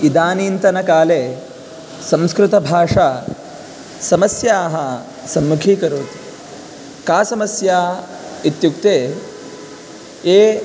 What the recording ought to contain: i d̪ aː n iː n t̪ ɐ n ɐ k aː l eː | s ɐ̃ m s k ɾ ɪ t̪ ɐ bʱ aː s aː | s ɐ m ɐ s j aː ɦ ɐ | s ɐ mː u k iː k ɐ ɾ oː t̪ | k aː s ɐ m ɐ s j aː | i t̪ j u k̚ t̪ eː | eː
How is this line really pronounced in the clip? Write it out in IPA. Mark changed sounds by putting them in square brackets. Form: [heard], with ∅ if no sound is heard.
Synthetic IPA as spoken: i d̪ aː n iː n t̪ ɐ n ɐ k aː l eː | s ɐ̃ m s k ɾ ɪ t̪ ɐ bʱ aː [ʂ] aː | s ɐ m ɐ s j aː ɦ ɐ | s ɐ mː u [kʰ] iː k ɐ ɾ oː t̪ | k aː s ɐ m ɐ s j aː | i t̪ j u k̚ t̪ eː | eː